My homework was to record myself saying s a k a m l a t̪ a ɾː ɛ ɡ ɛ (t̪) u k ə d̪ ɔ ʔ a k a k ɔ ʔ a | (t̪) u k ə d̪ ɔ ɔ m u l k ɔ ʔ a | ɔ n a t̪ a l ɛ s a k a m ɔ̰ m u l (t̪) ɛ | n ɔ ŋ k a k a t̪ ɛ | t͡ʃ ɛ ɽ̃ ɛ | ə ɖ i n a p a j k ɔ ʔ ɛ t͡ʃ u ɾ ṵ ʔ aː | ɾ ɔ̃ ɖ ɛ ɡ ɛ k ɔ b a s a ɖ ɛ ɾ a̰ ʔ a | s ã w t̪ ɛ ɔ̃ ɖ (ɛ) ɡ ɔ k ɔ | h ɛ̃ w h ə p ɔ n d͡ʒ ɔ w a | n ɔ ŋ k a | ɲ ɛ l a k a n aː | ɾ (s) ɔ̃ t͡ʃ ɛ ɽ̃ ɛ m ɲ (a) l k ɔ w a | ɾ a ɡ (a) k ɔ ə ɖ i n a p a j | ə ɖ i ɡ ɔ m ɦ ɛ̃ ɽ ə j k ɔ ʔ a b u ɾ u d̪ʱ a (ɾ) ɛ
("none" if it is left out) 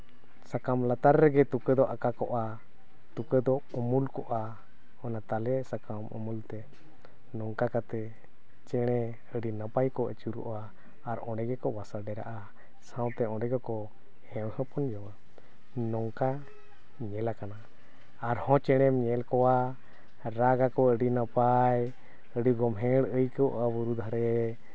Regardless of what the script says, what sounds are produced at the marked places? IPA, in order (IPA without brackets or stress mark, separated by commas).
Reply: t̪, t̪, t̪, ɛ, h, ɛ, a, ɾ